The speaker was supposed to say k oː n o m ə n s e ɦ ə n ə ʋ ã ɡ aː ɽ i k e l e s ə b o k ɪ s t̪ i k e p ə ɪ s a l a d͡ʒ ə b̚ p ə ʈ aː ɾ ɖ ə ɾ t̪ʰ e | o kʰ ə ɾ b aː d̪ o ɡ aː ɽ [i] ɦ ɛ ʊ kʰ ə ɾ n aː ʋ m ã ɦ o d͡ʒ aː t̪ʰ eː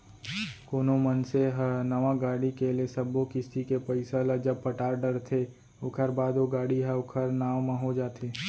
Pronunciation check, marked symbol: correct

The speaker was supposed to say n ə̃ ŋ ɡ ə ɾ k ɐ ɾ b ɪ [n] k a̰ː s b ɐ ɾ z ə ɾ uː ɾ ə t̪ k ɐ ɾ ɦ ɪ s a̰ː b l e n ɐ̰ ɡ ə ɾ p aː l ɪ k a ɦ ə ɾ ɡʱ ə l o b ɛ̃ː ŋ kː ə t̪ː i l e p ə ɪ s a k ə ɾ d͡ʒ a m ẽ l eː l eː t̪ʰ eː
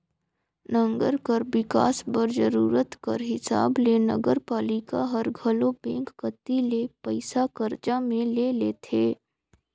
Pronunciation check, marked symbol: incorrect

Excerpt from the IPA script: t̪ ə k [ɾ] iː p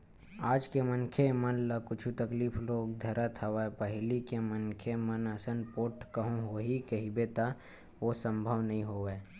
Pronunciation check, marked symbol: incorrect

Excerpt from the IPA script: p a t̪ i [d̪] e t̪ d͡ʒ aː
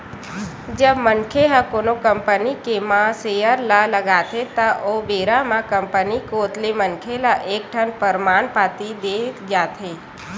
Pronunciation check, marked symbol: correct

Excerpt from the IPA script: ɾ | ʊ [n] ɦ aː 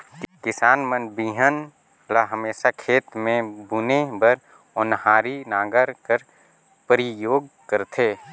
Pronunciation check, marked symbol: correct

